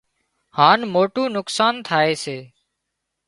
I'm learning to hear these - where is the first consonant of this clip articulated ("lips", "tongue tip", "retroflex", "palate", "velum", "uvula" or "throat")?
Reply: throat